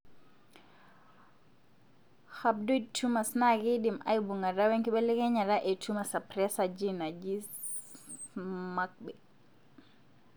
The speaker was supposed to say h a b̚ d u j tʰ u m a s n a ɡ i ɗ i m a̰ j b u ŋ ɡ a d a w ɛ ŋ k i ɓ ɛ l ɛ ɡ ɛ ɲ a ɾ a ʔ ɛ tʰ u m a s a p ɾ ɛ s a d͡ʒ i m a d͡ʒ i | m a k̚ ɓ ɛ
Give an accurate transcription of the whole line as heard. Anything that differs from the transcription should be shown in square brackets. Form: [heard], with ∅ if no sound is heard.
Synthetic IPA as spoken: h a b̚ d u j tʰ u m a s n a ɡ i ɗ i m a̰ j b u ŋ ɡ a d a w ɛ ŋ k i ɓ ɛ l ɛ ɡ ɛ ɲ a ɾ a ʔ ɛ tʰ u m a s a p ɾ ɛ s a d͡ʒ i [n] a d͡ʒ i | m a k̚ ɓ ɛ